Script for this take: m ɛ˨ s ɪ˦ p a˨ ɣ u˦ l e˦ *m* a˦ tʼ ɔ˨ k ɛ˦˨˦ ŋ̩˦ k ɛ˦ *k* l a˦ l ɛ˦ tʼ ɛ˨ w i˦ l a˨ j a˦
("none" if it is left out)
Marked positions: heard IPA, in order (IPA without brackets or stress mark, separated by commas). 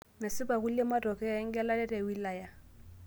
m, none